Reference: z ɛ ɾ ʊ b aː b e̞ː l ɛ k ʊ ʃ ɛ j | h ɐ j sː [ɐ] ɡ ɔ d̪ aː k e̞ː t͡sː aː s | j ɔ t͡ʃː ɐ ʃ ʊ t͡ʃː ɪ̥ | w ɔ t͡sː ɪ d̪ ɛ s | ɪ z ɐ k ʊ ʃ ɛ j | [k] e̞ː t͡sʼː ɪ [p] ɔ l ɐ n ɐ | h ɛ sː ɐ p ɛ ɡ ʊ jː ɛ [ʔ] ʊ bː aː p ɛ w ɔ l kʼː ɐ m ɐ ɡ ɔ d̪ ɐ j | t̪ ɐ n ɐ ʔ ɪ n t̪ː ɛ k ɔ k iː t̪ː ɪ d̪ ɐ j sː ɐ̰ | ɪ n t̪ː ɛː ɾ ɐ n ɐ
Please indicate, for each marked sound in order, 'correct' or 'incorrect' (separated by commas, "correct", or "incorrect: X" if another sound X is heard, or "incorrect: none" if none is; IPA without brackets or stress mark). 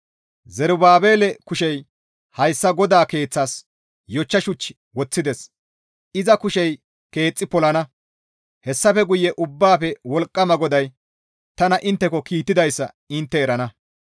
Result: correct, correct, correct, correct